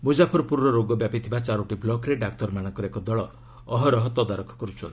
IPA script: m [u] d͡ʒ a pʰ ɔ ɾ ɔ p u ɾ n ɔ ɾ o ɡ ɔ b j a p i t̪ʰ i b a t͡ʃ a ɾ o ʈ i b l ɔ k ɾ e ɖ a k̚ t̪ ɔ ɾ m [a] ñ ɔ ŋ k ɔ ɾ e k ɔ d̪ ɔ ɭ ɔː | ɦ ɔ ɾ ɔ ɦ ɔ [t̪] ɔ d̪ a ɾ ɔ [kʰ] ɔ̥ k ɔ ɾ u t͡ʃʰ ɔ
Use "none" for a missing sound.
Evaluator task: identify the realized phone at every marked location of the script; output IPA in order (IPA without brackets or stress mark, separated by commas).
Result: u, a, t̪, kʰ